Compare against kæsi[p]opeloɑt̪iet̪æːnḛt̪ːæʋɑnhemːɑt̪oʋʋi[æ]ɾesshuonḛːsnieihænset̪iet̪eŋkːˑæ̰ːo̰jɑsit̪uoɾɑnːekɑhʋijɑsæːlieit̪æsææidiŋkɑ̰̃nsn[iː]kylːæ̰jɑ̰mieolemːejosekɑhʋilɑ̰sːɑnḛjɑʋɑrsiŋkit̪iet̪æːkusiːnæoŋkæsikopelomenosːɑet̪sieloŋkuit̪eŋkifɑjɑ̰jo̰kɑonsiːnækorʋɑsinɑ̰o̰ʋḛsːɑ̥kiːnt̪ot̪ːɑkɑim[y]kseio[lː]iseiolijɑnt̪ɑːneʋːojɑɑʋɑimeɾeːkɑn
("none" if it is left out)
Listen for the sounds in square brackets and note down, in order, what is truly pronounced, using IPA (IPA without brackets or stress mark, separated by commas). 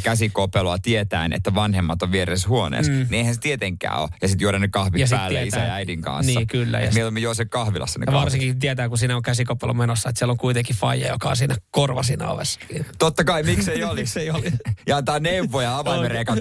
k, e, iː, i, l